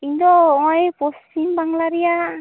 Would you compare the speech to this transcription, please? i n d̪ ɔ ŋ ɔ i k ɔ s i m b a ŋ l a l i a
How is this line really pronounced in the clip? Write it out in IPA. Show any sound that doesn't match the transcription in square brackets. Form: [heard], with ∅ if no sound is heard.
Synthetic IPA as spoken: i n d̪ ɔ ŋ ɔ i [p] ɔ s i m b a ŋ l a [ɾ] i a

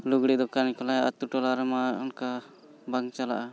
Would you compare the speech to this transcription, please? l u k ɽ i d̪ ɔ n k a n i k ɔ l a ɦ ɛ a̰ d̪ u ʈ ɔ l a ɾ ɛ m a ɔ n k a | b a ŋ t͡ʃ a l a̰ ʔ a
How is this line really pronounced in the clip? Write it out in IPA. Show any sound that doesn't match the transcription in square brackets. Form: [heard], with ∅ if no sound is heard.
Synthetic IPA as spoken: l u [ɡ] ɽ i d̪ ɔ [∅] k a n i k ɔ l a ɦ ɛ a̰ [t̪] u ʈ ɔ l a ɾ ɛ m a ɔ n k a | b a ŋ t͡ʃ a l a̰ ʔ a

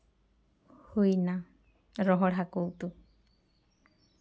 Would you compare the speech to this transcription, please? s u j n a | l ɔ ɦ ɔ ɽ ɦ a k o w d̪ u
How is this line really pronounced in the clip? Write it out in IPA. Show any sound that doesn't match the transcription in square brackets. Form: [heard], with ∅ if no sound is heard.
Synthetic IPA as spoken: [h] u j n a | [ɾ] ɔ ɦ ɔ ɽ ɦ a k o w [t̪] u

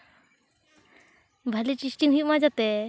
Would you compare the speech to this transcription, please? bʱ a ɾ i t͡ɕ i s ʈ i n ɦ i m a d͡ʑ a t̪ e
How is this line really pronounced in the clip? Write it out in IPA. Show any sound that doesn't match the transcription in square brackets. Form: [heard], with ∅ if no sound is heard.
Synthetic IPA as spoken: bʱ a [l] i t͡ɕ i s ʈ i [ŋ] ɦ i m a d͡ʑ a t̪ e

